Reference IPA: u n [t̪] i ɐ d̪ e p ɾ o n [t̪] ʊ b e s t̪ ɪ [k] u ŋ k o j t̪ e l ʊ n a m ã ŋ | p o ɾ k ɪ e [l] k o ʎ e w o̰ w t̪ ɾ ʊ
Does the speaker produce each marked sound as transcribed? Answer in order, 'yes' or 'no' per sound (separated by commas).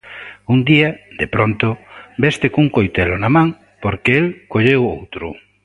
no, yes, yes, yes